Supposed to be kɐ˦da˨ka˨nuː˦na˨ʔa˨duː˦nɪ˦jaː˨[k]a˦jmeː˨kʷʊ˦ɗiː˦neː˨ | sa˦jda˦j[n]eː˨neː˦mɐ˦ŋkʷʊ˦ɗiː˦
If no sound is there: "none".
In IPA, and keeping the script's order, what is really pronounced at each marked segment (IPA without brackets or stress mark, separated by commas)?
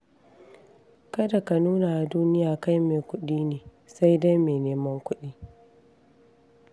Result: k, m